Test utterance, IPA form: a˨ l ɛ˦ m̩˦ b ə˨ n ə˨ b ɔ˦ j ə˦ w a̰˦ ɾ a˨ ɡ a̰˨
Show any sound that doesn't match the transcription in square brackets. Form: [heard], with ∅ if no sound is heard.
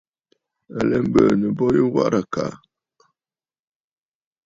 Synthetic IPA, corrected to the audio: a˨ l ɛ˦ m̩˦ b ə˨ n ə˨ b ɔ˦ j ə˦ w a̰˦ ɾ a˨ [k] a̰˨